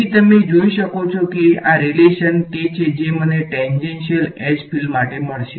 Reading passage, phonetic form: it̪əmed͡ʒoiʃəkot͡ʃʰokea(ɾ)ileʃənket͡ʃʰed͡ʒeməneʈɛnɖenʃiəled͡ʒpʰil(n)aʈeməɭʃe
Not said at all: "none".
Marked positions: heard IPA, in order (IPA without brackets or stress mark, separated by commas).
ɾ, m